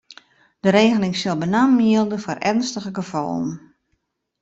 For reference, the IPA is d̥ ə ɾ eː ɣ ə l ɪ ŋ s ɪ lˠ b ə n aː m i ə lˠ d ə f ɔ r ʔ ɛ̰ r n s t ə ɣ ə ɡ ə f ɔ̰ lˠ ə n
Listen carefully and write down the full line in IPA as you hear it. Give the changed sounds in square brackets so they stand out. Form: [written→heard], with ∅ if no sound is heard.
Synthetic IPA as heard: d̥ ə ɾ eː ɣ ə l ɪ ŋ s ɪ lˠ b ə n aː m i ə lˠ d ə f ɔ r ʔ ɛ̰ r n s t ə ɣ ə ɡ ə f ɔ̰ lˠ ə n